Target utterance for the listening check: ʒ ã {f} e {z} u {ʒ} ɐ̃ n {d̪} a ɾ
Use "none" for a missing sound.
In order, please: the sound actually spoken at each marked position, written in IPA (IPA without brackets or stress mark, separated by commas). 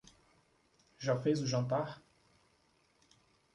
f, z, ʒ, t̪